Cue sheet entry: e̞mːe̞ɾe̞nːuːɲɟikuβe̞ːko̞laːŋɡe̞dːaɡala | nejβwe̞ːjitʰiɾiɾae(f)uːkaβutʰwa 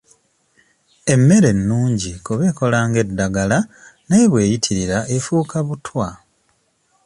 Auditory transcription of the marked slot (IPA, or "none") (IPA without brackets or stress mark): f